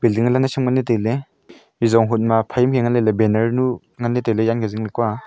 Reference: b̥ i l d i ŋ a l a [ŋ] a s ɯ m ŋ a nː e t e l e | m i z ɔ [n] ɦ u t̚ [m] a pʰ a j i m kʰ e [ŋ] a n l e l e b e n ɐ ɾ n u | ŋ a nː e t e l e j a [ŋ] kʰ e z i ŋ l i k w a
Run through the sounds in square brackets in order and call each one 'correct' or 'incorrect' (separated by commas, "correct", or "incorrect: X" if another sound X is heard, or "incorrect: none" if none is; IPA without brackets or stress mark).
incorrect: n, incorrect: ŋ, correct, correct, incorrect: n